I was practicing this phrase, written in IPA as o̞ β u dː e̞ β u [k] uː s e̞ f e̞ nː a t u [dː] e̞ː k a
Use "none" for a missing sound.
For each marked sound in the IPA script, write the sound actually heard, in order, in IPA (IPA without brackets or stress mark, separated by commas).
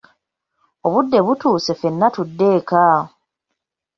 t, dː